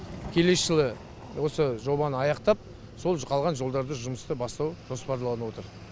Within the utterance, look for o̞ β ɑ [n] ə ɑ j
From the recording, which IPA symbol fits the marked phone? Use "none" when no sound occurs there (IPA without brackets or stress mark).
n